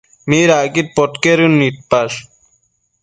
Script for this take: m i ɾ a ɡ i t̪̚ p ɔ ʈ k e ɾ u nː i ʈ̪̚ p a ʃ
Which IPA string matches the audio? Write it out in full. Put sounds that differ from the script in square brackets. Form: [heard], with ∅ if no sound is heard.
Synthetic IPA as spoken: m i ɾ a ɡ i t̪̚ p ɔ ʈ k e ɾ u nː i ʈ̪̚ p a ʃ